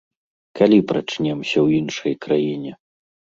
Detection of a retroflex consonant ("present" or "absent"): present